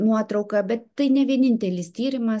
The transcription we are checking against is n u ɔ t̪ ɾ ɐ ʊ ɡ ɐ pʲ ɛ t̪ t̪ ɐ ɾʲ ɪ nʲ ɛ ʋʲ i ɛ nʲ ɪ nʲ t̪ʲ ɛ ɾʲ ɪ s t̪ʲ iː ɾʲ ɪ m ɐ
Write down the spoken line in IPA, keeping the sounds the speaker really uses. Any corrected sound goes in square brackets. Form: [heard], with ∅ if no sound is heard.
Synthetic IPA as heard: n u ɔ t̪ ɾ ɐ ʊ [k] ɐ [bʲ] ɛ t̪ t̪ ɐ [∅] ɪ nʲ ɛ ʋʲ i ɛ nʲ ɪ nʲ t̪ʲ ɛ [lʲ] ɪ s t̪ʲ iː ɾʲ ɪ m ɐ